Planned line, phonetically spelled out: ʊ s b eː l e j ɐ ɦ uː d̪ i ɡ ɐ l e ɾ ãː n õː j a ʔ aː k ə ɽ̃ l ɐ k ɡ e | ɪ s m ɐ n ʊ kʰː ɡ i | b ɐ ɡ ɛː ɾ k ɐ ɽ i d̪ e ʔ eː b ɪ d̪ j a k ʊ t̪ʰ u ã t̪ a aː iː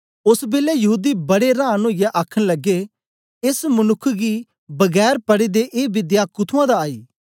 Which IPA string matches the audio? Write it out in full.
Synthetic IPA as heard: ʊ s b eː l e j ɐ ɦ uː d̪ i b ɐ ɽ e ɾ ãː n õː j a ʔ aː kʰ ə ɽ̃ l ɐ ɡ e | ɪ s m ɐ n ʊ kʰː ɡ i | b ɐ ɡ ɛː ɾ p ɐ ɽ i d̪ e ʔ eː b ɪ d̪ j a k ʊ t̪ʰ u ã d̪ a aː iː